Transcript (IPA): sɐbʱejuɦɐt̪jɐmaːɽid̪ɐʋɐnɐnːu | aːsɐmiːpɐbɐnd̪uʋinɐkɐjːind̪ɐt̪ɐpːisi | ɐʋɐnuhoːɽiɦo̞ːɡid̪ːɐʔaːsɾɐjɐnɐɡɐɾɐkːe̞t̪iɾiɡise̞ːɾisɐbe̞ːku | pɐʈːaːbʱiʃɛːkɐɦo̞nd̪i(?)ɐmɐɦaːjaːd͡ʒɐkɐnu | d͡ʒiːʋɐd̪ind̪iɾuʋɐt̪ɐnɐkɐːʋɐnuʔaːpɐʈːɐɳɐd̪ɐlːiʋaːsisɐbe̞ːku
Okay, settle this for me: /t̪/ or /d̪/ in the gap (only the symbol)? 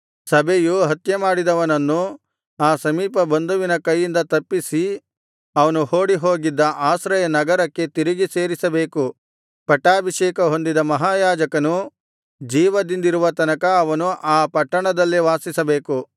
d̪